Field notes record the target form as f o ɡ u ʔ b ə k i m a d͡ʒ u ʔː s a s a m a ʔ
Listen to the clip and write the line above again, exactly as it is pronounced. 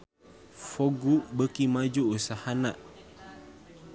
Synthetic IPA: f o ɡ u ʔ b ə k i m a d͡ʒ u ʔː s a h a n a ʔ